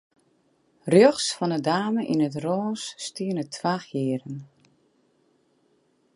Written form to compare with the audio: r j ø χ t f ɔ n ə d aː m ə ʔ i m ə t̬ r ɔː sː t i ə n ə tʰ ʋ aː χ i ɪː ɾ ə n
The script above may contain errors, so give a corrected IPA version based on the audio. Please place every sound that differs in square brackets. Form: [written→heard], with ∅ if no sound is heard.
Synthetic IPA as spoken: r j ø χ [t→s] f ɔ n ə d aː m ə ʔ i [m→n] ə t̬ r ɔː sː t i ə n ə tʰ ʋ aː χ [i→j] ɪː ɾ ə n